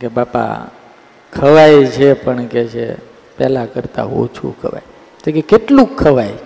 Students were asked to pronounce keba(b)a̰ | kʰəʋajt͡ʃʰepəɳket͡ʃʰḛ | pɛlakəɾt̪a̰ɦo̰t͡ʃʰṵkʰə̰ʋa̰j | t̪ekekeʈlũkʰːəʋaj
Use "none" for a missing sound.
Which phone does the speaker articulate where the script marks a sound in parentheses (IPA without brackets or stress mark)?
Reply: p